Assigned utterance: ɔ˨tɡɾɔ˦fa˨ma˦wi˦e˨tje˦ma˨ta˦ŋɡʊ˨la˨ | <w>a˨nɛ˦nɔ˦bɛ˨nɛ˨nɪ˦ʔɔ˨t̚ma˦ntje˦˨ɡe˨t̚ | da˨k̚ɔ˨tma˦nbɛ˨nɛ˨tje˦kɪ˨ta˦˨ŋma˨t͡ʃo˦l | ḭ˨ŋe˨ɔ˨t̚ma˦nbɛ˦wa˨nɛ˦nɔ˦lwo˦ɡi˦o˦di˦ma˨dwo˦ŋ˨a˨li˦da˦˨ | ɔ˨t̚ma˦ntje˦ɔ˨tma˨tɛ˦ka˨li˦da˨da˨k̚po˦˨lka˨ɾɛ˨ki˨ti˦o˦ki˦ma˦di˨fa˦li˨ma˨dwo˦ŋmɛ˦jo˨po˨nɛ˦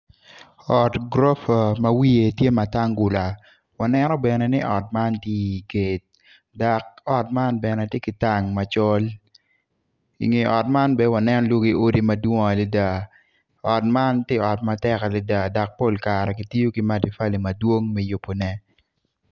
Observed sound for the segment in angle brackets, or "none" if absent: w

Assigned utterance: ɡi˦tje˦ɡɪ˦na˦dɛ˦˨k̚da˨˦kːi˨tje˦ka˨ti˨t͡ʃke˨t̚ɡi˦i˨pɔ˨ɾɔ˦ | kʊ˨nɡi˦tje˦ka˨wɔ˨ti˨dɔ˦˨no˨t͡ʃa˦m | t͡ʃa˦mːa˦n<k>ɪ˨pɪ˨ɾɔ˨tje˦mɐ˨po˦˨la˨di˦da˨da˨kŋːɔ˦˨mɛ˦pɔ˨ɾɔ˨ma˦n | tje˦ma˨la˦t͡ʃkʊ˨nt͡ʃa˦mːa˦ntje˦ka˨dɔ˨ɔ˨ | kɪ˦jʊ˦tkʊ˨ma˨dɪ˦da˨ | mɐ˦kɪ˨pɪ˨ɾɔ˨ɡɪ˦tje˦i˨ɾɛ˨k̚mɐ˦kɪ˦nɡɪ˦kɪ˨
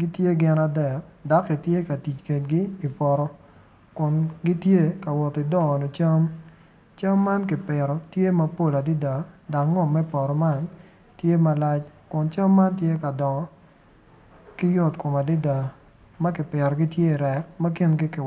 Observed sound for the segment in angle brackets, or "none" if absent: k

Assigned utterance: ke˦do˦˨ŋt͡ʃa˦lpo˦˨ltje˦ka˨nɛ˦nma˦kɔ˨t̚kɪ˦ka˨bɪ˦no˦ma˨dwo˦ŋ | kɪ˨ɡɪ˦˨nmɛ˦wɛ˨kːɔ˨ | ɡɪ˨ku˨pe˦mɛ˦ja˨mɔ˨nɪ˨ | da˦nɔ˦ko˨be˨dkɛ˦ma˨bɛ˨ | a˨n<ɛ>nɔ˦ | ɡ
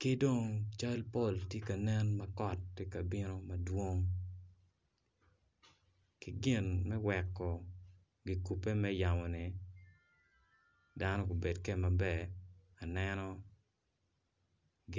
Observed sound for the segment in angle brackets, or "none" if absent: ɛ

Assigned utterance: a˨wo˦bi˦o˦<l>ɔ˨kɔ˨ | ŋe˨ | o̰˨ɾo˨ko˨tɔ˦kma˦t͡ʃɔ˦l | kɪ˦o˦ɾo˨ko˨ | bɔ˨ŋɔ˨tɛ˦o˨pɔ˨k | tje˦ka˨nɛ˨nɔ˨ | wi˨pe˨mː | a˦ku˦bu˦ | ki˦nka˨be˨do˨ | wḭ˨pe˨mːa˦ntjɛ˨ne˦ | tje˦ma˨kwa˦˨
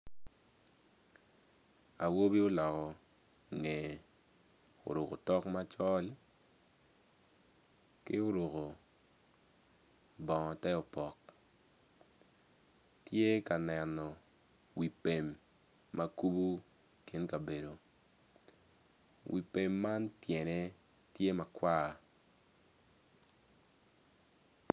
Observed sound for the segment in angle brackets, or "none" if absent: l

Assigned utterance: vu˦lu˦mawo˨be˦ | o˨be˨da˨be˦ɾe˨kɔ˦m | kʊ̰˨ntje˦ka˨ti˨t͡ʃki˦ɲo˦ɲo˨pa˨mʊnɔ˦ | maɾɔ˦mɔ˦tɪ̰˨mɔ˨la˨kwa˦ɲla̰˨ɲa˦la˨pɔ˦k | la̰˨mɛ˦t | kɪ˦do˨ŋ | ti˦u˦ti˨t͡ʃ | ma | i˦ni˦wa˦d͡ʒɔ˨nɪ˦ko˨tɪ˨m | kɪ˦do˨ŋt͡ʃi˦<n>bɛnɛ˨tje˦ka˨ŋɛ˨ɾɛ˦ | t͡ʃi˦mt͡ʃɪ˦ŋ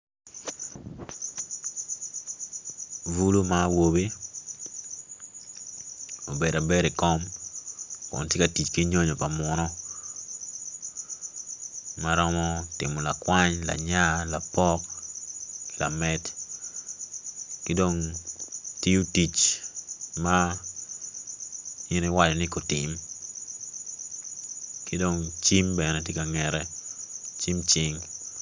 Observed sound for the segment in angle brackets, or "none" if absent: m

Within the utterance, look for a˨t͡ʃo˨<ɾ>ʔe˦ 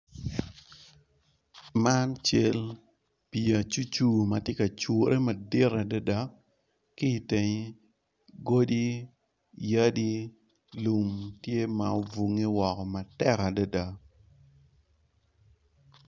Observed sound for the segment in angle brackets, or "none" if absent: ɾ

